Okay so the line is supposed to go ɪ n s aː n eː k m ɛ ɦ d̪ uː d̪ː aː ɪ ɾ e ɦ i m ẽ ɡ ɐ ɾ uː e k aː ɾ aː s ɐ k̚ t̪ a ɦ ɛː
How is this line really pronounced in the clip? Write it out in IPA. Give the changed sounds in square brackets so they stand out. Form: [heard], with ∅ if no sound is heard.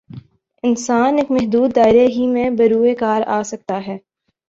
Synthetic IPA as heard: ɪ n s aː n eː k m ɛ ɦ d̪ uː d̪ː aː ɪ ɾ e ɦ i m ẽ [b] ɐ ɾ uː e k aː ɾ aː s ɐ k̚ t̪ a ɦ ɛː